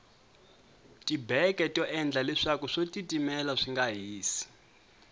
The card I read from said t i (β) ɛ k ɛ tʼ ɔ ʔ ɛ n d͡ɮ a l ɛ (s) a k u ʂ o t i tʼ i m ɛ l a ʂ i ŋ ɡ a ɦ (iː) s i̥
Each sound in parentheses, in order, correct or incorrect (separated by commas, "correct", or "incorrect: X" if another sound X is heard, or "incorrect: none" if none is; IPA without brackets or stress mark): incorrect: b, incorrect: ʂ, correct